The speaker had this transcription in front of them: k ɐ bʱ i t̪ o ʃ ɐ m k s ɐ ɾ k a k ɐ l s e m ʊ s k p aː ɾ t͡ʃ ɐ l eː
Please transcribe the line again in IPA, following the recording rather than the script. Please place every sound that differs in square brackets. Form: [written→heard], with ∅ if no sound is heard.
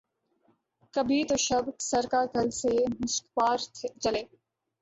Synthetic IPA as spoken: k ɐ bʱ i t̪ o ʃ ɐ [m→b] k s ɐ ɾ k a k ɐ l s e m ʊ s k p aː ɾ t͡ʃ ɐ l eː